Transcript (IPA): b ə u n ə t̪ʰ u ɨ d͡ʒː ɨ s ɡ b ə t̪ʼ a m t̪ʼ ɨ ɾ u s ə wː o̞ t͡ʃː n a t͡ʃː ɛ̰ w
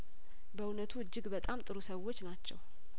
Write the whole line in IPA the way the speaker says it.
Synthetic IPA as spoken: b ə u n ə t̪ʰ u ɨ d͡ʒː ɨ ɡ b ə t̪ʼ a m t̪ʼ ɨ ɾ u s ə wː o̞ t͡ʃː n a t͡ʃː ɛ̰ w